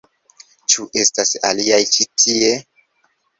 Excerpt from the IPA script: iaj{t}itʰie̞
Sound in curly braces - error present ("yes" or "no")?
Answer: yes